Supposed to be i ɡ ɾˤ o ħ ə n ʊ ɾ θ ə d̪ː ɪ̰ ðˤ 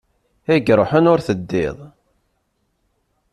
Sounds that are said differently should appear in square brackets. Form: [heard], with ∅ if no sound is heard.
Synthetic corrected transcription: [æ] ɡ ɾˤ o ħ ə n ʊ ɾ θ ə d̪ː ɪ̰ ðˤ